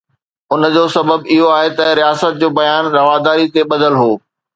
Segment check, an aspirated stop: absent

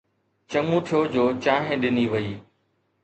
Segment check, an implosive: present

